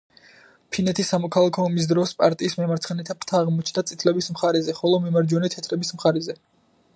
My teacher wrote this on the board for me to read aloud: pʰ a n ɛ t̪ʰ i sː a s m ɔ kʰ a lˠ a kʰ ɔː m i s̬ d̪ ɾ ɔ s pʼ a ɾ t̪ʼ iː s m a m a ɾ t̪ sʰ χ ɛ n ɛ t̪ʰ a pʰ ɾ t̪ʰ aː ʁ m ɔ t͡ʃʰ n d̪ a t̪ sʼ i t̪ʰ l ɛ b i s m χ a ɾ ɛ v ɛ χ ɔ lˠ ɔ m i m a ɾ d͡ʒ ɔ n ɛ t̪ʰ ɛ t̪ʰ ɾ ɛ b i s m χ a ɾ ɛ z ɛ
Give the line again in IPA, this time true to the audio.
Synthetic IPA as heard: pʰ i n ɛ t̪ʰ i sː a m ɔ kʰ a lˠ a kʰ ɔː m i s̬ d̪ ɾ ɔ s pʼ a ɾ t̪ʼ iː s m ɛ m a ɾ t̪ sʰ χ ɛ n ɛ t̪ʰ a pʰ ɾ t̪ʰ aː ʁ m ɔ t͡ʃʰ n d̪ a t̪ sʼ i t̪ʰ l ɛ b i s m χ a ɾ ɛ z ɛ χ ɔ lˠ ɔ m i m a ɾ d͡ʒ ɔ n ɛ t̪ʰ ɛ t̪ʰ ɾ ɛ b i s m χ a ɾ ɛ z ɛ